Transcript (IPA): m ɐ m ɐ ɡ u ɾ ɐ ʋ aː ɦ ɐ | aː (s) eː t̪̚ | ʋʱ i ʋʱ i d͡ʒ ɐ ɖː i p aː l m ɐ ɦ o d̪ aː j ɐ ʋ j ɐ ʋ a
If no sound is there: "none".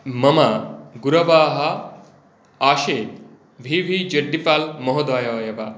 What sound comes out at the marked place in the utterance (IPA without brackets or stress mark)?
ʃ